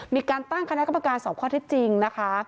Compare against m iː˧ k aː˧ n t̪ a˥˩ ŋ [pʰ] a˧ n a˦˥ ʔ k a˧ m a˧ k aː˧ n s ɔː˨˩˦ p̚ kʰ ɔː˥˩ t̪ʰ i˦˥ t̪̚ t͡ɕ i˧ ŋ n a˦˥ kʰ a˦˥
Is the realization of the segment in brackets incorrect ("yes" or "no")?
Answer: yes